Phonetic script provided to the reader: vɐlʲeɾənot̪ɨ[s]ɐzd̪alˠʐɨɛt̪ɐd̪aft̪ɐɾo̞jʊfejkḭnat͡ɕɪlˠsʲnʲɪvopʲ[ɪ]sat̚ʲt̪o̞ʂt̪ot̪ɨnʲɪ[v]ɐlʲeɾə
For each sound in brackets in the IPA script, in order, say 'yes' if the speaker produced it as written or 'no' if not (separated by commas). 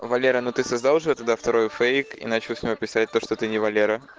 yes, yes, yes